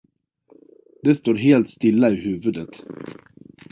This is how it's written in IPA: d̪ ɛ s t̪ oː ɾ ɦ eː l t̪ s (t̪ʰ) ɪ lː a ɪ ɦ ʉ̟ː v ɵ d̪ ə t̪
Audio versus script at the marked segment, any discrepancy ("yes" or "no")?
yes